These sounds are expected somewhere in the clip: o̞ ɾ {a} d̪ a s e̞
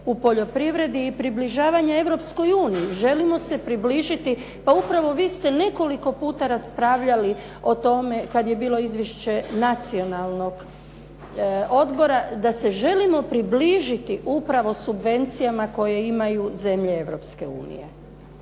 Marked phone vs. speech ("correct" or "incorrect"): correct